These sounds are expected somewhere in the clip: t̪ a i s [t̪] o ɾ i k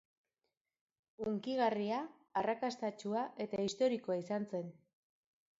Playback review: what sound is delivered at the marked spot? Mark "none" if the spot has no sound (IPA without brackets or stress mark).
t̪